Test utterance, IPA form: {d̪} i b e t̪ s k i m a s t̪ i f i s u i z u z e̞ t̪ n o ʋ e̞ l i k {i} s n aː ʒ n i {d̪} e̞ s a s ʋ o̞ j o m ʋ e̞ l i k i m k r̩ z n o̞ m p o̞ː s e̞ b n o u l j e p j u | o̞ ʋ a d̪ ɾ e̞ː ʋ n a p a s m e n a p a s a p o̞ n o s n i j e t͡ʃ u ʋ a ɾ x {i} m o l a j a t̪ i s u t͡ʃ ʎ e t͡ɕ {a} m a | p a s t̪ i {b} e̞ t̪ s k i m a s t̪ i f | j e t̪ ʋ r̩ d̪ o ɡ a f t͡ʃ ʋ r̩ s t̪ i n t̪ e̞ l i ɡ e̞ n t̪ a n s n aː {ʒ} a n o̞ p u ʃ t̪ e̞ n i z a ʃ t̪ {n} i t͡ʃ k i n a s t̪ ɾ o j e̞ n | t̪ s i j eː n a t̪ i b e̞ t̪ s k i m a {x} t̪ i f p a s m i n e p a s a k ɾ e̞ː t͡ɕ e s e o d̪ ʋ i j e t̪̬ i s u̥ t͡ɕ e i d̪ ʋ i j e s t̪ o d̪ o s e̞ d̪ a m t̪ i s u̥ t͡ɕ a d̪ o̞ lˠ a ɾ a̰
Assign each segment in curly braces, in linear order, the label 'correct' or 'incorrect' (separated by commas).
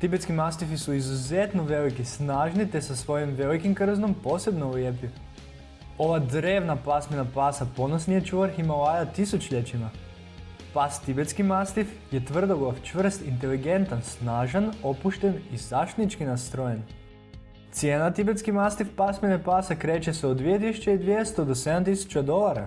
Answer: incorrect, correct, incorrect, correct, incorrect, correct, correct, correct, incorrect